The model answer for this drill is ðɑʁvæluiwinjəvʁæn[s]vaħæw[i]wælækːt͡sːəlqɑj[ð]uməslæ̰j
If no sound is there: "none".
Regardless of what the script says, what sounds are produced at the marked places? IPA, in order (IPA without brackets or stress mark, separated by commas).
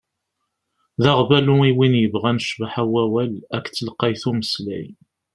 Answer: ʃ, æ, θ